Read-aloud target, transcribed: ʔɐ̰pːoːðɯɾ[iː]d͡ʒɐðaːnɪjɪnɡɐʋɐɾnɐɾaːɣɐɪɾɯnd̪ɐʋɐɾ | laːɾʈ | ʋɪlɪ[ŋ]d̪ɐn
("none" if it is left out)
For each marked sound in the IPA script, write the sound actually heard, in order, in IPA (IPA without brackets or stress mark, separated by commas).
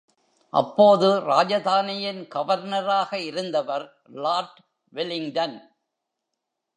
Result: aː, ŋ